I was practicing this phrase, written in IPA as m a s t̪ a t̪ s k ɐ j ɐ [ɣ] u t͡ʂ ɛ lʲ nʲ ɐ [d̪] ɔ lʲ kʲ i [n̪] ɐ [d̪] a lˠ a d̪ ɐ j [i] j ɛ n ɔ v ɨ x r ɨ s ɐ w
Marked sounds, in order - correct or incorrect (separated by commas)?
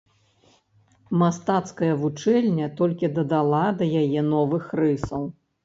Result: incorrect, incorrect, incorrect, correct, incorrect